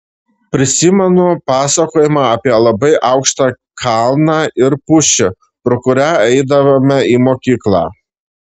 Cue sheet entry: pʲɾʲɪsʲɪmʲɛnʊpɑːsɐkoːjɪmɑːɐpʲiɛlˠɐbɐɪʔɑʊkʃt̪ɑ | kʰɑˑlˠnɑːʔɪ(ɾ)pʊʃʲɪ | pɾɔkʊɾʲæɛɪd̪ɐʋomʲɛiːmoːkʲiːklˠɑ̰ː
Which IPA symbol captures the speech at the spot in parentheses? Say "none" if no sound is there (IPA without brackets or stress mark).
ɾ